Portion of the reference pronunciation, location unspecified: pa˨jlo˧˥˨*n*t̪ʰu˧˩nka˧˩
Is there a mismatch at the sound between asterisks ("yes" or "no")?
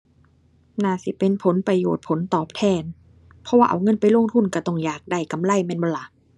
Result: yes